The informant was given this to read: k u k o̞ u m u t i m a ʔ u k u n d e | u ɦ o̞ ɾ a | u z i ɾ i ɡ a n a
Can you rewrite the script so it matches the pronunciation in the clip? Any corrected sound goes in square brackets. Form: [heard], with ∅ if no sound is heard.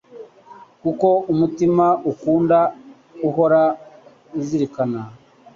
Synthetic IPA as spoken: k u k o̞ u m u t i m a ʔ u k [uː] n d [a] | u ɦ o̞ ɾ a | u z i ɾ i [k] a n a